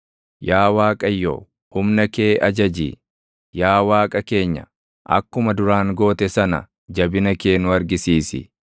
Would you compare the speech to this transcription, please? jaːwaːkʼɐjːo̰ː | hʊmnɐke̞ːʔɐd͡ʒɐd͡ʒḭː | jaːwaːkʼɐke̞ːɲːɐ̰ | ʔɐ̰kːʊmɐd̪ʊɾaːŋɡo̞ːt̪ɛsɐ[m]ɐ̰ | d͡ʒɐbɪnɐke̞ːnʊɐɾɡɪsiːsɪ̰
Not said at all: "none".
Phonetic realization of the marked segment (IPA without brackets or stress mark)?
n